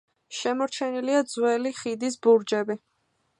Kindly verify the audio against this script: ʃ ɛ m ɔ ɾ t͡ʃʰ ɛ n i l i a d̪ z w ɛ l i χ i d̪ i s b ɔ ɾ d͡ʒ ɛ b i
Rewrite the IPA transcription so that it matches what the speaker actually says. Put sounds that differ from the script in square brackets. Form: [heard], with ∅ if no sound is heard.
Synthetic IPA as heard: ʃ ɛ m ɔ ɾ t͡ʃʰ ɛ n i l i a d̪ z w ɛ l i χ i d̪ i s b [u] ɾ d͡ʒ ɛ b i